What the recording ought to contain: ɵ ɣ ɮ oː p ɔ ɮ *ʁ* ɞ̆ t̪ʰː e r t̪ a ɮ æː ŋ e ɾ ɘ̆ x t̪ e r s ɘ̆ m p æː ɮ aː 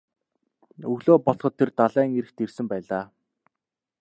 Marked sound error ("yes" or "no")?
yes